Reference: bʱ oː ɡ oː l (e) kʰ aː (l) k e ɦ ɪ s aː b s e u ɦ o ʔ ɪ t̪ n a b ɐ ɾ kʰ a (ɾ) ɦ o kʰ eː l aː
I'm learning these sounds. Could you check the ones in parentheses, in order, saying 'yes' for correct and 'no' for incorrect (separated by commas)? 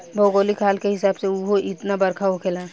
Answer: no, yes, no